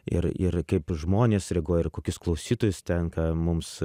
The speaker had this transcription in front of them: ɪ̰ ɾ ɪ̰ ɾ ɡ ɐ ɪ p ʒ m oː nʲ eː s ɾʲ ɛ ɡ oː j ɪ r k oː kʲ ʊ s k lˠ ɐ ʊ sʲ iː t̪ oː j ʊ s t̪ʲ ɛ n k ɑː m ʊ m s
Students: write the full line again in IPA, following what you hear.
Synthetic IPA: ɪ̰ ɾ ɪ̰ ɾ k ɐ ɪ p ʒ m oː nʲ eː s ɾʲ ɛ ɡ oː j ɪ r k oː kʲ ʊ s k lˠ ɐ ʊ sʲ iː t̪ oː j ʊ s t̪ʲ ɛ n k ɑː m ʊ m s